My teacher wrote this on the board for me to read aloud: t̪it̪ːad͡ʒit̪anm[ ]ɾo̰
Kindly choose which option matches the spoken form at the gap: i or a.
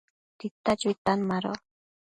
a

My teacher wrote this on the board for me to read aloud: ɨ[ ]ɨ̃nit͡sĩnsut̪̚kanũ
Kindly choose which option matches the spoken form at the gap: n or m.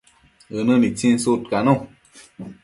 n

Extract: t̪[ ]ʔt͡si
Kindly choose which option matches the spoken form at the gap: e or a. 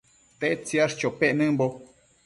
e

